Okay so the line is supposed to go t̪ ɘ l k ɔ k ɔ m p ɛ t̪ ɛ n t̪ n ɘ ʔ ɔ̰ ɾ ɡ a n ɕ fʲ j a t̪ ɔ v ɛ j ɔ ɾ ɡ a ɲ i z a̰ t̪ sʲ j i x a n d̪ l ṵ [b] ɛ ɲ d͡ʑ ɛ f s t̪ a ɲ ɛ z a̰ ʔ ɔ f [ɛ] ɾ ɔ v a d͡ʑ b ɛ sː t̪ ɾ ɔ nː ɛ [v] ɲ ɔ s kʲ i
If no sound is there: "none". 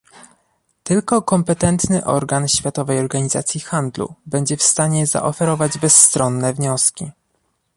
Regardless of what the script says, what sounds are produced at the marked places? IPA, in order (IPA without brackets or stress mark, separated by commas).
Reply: b, ɛ, v